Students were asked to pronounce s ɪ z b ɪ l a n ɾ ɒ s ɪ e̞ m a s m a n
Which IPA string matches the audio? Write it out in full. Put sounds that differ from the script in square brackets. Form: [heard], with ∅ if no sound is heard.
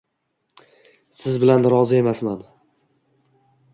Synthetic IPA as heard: s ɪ z b ɪ l a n ɾ ɒ [z] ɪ e̞ m a s m a n